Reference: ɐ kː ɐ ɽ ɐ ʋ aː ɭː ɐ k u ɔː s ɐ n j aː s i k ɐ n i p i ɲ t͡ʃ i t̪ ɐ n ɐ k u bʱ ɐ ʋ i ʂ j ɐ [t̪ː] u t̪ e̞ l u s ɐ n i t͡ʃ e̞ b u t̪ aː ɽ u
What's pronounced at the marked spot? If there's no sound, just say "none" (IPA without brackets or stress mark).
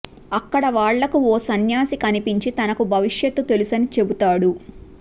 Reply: t̪ː